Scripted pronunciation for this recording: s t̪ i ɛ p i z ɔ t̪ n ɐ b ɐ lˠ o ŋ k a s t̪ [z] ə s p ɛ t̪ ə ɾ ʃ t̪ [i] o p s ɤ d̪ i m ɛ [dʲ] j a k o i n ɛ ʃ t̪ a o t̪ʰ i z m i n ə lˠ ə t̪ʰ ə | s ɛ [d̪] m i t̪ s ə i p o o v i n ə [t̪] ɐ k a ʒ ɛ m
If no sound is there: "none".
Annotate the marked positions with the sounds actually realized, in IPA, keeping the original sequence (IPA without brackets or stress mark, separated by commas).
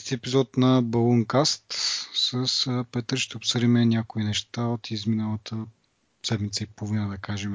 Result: s, ɛ, nʲ, d̪, d̪